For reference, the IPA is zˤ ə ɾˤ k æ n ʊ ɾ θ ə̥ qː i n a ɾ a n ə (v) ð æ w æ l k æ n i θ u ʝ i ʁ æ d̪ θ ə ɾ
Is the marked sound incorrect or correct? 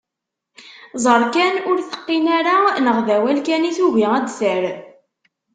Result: incorrect